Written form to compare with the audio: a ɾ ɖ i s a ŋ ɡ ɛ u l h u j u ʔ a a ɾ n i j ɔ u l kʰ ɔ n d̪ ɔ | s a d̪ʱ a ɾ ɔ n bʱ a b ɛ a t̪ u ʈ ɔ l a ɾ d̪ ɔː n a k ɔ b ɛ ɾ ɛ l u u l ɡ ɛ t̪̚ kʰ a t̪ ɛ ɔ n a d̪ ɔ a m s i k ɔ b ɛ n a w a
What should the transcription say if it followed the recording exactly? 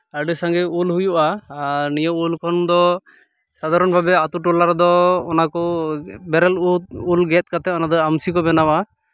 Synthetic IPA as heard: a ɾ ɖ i s a ŋ ɡ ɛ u l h u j u ʔ a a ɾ n i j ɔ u l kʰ ɔ n d̪ ɔ | s a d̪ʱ a ɾ ɔ n bʱ a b ɛ a t̪ u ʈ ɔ l a ɾ d̪ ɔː n a k ɔ b ɛ ɾ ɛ l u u l ɡ ɛ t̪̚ k a t̪ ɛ ɔ n a d̪ ɔ a m s i k ɔ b ɛ n a w a

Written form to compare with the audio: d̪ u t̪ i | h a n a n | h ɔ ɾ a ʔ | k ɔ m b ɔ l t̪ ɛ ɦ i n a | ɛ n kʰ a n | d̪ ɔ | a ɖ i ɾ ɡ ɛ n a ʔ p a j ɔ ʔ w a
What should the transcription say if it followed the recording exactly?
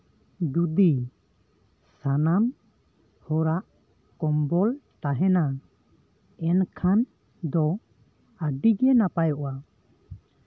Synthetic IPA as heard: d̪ u d̪ i | s a n a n | h ɔ ɾ a ʔ | k ɔ m b ɔ l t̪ a ɦ ɛ n a | ɛ n kʰ a n | d̪ ɔ | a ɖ i ɡ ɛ n a p a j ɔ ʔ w a

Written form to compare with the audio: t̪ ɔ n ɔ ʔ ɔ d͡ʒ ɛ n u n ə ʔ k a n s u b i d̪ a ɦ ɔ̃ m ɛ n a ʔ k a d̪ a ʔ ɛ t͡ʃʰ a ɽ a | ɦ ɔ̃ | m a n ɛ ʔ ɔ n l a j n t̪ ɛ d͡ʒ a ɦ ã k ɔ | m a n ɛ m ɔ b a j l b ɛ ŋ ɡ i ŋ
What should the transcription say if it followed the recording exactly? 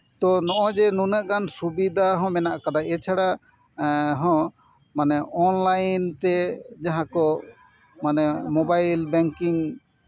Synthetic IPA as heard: t̪ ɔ n ɔ ʔ ɔ d͡ʒ ɛ n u n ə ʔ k a n s u b i d̪ a ɦ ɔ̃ m ɛ n a ʔ k a d̪ a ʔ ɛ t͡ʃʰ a ɽ a | ɦ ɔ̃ | m a n ɛ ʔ ɔ n l a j n t̪ ɛ d͡ʒ a ɦ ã k ɔ | m a n ɛ m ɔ b a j l b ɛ ŋ k i ŋ

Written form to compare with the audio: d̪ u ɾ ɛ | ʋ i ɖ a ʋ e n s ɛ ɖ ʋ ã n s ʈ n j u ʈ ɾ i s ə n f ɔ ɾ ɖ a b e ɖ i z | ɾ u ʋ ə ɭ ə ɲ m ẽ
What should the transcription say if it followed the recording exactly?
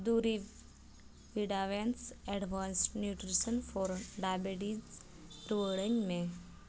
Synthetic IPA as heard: d̪ u ɾ i | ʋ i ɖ a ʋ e n s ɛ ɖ ʋ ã n s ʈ n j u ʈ ɾ i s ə n f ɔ ɾ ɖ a b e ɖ i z | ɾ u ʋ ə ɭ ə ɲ m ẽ

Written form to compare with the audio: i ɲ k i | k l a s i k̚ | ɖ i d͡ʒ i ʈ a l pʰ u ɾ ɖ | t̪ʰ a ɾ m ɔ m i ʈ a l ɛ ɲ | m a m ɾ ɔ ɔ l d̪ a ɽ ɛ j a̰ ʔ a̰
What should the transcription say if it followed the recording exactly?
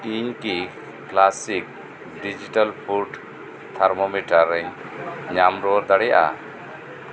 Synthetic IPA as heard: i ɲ k i | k l a s i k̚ | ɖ i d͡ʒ i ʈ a l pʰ u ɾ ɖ | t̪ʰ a ɾ m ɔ m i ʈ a ɾ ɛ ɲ | ɲ a m ɾ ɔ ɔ ɾ d̪ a ɽ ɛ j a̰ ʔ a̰

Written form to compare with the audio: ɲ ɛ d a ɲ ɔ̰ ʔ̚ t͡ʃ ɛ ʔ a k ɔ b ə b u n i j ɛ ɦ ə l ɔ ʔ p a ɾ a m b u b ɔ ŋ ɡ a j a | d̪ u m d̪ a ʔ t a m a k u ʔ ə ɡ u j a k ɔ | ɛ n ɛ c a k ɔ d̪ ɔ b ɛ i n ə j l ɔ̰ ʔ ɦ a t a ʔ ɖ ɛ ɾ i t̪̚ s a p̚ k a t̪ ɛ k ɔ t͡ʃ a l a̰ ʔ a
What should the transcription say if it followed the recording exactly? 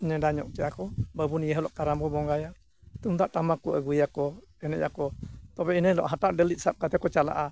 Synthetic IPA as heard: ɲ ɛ d a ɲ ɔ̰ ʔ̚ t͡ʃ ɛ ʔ a k ɔ b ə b u n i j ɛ ɦ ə l ɔ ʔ k a ɾ a m b ɔ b ɔ ŋ ɡ a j a | t̪ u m d̪ a ʔ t a m a k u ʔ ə ɡ u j a k ɔ | ɛ n ɛ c a k ɔ t̪ ɔ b ɛ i n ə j l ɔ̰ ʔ ɦ a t a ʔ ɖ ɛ l i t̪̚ s a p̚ k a t̪ ɛ k ɔ t͡ʃ a l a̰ ʔ a

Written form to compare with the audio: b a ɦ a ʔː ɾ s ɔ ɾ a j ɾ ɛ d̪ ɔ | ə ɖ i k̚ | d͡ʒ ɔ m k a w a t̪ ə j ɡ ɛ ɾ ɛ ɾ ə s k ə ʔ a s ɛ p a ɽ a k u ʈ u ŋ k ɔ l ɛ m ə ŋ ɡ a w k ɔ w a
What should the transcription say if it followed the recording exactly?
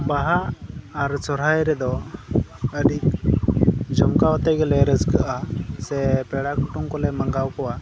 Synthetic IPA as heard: b a ɦ a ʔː ɾ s ɔ ɾ a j ɾ ɛ d̪ ɔ | ə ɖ i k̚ | d͡ʒ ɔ m k a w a t̪ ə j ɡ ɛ l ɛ ɾ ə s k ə ʔ a s ɛ p ɛ ɽ a k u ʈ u ŋ k ɔ l ɛ m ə ŋ ɡ a w k ɔ w a

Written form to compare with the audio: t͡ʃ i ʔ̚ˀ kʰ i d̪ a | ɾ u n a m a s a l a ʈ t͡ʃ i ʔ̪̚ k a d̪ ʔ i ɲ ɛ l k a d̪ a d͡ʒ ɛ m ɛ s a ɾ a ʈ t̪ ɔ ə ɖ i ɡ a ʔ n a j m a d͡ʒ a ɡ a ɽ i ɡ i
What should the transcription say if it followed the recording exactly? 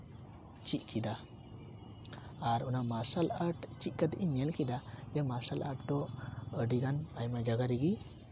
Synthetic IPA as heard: t͡ʃ i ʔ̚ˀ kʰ i d̪ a | ɾ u n a m a s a l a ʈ t͡ʃ i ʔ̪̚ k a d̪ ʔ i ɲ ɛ l k i d̪ a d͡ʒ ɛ m a s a l a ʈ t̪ ɔ ə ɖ i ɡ a n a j m a d͡ʒ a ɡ a ɾ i ɡ i

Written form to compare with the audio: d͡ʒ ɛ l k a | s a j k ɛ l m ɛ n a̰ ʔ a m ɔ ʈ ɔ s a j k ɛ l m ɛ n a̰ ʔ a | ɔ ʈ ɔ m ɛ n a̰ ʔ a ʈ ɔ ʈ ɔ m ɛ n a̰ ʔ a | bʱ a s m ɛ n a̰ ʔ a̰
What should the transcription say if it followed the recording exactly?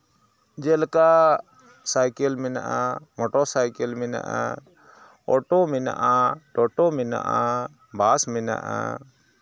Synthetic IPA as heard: d͡ʒ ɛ l k a | s a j k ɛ l m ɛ n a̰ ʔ a m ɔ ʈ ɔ s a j k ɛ l m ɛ n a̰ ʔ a | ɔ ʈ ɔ m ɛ n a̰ ʔ a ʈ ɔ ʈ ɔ m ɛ n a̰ ʔ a | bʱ a s m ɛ n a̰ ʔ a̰

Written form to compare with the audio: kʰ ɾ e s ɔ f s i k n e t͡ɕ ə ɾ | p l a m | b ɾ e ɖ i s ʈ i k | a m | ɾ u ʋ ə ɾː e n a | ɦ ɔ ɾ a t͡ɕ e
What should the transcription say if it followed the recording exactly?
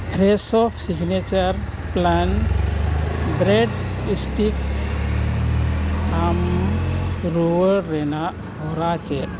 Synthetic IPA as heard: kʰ ɾ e s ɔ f s i ɡ n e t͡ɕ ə ɾ | p l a n | b ɾ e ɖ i s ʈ i k | a m | ɾ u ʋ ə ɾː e n a | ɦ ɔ ɾ a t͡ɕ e

